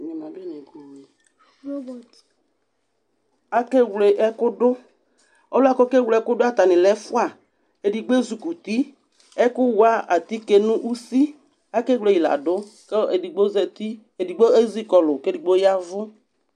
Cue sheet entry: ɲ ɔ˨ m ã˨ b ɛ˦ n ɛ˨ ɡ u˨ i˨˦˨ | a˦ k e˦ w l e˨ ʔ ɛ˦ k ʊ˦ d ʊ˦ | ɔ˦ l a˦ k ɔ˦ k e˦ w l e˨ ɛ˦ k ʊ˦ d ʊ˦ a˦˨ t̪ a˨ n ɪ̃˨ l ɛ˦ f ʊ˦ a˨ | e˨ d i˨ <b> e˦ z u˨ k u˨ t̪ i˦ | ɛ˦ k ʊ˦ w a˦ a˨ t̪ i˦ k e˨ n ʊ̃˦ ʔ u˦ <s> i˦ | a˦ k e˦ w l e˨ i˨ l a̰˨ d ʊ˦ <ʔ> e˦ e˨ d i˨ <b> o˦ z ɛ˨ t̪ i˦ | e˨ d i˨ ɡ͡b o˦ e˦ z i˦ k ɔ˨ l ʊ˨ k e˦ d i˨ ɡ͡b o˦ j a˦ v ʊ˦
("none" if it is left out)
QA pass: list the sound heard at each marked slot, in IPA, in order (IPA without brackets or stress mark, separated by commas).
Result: ɡ͡b, s, k, ɡ͡b